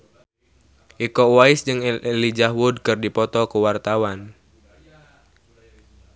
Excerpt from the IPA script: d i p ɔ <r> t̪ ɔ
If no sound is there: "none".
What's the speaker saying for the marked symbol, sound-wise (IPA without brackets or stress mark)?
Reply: none